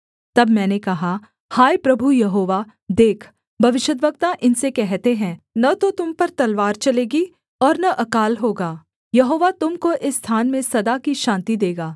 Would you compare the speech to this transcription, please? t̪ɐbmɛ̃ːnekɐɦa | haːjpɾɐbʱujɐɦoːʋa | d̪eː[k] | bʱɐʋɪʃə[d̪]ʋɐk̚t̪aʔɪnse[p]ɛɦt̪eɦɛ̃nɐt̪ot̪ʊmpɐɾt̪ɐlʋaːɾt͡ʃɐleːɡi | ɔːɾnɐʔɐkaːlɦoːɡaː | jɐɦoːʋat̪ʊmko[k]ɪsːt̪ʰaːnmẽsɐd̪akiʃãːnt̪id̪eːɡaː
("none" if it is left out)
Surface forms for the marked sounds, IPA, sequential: kʰ, d̪, k, ʔ

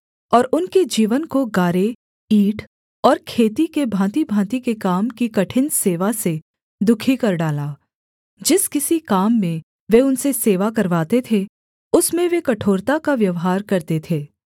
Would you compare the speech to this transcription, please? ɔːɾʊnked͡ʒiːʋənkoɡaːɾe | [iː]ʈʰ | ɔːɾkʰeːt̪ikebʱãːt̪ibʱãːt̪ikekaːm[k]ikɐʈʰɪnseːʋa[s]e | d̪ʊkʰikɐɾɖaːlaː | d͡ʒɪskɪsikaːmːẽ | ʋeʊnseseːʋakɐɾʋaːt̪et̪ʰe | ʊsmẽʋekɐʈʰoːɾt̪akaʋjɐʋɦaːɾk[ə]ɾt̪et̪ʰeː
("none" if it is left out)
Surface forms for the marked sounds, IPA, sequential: iː, k, s, ɐ

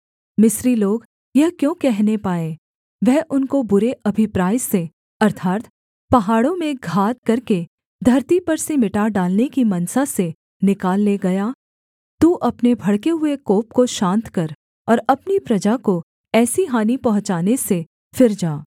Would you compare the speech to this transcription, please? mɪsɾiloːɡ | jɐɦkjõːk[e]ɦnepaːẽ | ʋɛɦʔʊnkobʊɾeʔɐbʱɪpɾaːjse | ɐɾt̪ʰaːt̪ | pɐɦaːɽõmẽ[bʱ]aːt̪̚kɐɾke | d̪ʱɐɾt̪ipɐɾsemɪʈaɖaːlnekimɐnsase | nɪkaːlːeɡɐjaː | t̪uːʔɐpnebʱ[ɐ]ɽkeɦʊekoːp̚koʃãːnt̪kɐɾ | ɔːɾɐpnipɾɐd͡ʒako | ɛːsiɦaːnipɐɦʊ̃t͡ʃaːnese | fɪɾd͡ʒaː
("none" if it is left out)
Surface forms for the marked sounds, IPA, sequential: ɛ, ɡʱ, ɐ

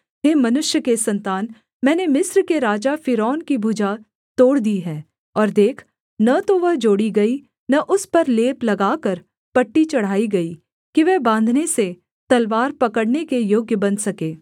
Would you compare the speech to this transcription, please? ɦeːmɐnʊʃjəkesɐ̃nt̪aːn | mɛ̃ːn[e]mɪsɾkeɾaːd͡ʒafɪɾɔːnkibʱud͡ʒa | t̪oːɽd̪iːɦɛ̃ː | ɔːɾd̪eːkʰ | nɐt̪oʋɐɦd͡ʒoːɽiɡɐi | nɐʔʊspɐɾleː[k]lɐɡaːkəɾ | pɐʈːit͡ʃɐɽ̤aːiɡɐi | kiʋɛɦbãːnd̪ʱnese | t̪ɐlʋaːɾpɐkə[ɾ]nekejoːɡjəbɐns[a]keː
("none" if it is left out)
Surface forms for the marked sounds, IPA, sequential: e, p, ɽ, ɐ

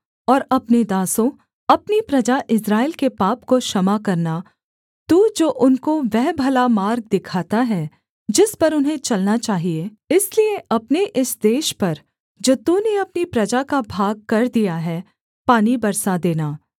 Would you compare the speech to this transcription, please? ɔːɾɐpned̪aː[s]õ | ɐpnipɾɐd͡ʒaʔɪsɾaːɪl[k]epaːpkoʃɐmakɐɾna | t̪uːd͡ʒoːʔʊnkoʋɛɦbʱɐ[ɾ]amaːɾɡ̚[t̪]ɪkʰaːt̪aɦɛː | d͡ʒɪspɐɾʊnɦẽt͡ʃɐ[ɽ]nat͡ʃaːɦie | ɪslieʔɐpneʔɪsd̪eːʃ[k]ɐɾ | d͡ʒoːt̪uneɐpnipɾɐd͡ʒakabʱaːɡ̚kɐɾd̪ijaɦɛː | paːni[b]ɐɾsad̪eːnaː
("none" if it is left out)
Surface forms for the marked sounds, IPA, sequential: s, k, l, d̪, l, p, b

